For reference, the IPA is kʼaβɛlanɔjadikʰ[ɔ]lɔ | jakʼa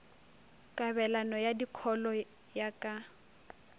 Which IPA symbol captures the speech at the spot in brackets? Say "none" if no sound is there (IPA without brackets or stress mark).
ɔ